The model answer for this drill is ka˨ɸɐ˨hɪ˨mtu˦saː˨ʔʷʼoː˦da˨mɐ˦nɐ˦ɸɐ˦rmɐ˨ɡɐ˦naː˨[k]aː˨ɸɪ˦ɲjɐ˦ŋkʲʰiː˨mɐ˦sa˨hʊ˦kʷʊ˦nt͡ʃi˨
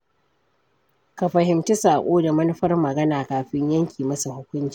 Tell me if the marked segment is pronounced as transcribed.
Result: yes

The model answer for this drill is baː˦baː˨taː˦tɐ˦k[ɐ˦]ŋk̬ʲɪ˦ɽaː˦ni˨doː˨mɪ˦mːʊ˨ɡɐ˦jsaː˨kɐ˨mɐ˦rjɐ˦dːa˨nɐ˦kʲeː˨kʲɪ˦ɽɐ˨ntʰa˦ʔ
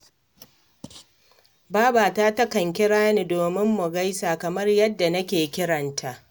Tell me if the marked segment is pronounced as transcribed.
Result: no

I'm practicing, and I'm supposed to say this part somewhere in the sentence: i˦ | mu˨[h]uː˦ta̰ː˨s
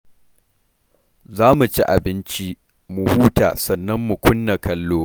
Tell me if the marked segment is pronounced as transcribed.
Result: yes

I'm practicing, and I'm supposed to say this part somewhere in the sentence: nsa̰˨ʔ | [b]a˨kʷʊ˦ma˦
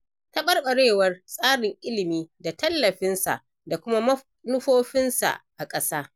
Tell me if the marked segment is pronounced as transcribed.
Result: no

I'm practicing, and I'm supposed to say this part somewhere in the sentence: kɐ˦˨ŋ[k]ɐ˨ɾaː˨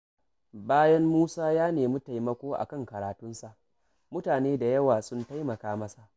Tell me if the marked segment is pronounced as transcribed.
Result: yes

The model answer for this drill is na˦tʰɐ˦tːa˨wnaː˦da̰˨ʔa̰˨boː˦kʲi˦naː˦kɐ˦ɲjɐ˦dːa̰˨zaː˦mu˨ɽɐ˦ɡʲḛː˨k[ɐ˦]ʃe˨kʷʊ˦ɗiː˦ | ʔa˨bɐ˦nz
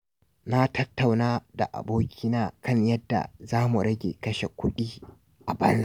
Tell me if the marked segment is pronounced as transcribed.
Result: yes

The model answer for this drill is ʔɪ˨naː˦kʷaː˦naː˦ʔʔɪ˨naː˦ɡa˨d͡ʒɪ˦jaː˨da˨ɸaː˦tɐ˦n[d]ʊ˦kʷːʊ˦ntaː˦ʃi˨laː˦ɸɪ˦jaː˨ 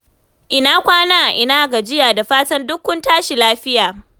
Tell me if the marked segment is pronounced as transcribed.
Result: yes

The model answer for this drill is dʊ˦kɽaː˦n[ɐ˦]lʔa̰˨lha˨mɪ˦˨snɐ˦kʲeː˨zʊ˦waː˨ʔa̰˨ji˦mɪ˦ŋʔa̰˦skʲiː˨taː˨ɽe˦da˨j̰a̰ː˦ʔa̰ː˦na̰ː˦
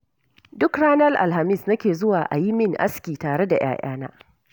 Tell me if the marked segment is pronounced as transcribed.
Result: yes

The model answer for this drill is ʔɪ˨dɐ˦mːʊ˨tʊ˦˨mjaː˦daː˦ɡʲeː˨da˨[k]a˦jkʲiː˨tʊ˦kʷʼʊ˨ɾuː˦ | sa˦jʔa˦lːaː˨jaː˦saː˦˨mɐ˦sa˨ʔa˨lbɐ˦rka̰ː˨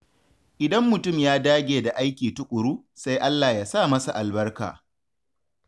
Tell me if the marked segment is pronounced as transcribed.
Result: no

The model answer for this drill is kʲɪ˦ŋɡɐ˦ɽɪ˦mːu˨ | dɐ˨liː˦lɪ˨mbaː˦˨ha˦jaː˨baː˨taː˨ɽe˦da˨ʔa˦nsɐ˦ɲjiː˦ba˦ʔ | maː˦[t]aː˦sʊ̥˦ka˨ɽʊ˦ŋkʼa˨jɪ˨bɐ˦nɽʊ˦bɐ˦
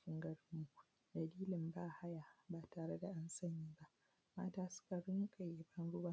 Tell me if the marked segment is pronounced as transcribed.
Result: yes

